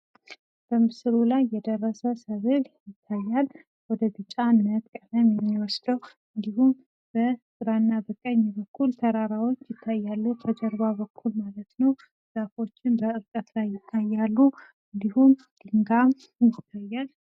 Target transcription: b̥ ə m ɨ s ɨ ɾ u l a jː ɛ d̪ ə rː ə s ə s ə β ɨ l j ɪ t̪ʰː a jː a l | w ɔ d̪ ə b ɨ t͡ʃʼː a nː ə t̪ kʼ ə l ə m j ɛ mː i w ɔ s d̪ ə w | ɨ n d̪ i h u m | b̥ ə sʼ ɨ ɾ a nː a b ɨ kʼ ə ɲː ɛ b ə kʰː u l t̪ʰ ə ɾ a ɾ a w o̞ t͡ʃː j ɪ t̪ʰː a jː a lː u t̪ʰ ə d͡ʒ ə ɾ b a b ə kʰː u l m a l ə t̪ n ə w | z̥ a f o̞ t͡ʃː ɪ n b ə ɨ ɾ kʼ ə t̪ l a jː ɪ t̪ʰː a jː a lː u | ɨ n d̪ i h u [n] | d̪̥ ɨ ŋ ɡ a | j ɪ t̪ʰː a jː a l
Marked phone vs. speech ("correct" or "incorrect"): incorrect